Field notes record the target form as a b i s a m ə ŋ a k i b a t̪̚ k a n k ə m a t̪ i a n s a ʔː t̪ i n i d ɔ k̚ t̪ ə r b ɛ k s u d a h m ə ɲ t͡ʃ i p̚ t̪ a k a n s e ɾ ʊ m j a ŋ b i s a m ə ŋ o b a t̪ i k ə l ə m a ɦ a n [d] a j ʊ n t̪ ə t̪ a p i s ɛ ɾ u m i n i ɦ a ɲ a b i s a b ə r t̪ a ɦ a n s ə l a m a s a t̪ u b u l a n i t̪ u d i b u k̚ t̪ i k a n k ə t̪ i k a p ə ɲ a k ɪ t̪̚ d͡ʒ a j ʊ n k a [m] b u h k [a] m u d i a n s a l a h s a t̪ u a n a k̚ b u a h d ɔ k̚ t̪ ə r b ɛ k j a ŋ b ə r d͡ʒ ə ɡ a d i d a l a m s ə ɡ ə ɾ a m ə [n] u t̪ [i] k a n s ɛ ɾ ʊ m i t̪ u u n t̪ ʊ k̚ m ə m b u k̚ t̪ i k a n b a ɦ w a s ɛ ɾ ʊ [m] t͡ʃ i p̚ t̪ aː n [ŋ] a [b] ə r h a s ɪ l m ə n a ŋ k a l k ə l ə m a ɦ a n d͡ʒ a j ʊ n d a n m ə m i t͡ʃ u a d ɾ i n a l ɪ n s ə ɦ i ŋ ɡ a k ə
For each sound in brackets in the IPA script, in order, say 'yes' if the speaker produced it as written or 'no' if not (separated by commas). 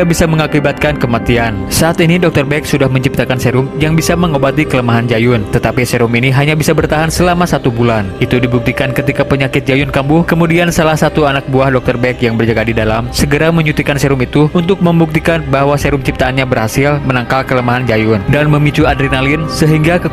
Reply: no, yes, no, no, yes, yes, no, yes